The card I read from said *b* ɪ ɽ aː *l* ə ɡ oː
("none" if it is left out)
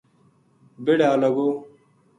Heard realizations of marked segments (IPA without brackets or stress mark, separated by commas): b, l